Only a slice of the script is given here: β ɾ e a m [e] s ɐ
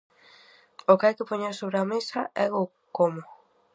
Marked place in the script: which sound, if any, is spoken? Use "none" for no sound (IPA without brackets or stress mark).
e